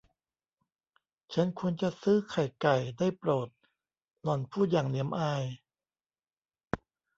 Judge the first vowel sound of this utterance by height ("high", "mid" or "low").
low